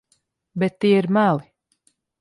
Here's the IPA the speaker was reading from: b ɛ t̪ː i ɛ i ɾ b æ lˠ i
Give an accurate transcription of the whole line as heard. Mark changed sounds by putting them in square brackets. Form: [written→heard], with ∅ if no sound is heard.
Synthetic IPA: b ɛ t̪ː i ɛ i ɾ [b→m] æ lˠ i